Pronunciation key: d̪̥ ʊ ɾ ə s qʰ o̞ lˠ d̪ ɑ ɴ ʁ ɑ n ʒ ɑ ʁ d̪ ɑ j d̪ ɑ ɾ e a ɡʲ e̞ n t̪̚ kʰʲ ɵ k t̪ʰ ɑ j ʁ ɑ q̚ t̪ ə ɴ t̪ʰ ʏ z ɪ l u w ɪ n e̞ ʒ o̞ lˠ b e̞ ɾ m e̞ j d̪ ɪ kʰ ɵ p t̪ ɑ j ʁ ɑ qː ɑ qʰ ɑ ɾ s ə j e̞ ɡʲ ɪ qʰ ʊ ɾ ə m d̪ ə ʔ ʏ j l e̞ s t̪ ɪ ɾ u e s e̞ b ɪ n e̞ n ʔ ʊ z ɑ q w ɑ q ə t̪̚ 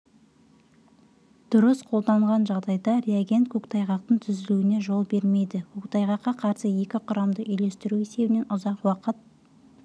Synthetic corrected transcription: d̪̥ ʊ ɾ ə s qʰ o̞ lˠ d̪ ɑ ɴ ʁ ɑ n ʒ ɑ ʁ d̪ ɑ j d̪ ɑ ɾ e a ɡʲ e̞ n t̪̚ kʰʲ ɵ k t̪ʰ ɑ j ʁ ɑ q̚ t̪ ə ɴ t̪ʰ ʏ z ɪ l u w ɪ n e̞ ʒ o̞ lˠ b e̞ ɾ m e̞ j d̪ ɪ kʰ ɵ k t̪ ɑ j ʁ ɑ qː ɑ qʰ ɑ ɾ s ə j e̞ kʲ ɪ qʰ ʊ ɾ ɑ m d̪ ə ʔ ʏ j l e̞ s t̪ ɪ ɾ u e s e̞ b ɪ n e̞ n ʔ ʊ z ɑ q w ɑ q ə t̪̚